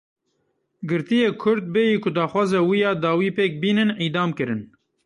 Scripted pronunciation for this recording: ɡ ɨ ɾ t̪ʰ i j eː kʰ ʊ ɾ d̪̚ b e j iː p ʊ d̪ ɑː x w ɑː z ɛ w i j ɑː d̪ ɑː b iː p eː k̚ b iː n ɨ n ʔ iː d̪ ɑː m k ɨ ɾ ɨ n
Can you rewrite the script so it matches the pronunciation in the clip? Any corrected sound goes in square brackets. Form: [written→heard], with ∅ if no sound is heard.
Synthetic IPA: ɡ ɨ ɾ [t̪ʰ→t̪] i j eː kʰ ʊ ɾ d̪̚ b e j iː [p→k] ʊ d̪ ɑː x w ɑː z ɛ w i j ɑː d̪ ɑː [b→w] iː p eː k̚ b iː n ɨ n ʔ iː d̪ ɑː m k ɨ ɾ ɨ n